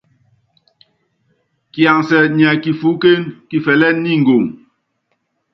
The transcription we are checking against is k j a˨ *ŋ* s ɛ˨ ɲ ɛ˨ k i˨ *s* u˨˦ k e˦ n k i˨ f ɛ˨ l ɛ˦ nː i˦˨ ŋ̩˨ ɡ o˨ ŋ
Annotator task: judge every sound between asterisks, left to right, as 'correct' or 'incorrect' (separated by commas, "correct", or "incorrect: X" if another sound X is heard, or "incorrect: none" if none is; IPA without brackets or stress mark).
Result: correct, incorrect: f